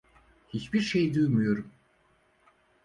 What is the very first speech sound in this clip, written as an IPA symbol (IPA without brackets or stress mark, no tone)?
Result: h